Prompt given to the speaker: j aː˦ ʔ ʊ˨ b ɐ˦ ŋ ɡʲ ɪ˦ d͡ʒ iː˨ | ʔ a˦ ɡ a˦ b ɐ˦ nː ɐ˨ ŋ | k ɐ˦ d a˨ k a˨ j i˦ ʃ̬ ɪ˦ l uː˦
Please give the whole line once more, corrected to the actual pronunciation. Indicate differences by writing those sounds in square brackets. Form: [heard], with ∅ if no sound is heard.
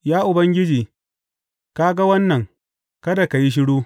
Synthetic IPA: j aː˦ ʔ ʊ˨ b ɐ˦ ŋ ɡʲ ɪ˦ d͡ʒ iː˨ | [k] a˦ ɡ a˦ [w] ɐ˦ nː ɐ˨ ŋ | k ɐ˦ d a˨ k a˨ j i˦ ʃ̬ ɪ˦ [ɽ] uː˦